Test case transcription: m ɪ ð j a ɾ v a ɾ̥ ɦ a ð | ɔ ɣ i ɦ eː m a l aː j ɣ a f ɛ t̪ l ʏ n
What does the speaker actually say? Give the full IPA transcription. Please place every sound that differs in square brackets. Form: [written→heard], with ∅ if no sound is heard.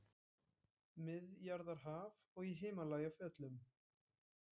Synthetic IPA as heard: m ɪ ð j a ɾ [v→ð] a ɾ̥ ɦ a [ð→v] | ɔ ɣ i ɦ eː m a l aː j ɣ a f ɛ t̪ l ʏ [n→m]